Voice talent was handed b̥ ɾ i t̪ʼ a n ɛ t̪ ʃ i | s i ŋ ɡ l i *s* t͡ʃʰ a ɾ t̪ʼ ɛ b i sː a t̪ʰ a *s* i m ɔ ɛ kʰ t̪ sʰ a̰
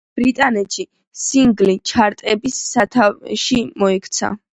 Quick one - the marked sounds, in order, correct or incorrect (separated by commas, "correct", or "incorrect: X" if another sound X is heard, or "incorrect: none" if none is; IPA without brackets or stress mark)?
incorrect: none, incorrect: ʃ